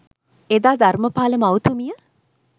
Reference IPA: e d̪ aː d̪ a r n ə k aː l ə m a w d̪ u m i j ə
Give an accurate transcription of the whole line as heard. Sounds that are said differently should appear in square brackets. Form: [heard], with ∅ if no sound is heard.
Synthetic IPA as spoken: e d̪ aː d̪ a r [m] ə [p] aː l ə m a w [t̪] u m i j ə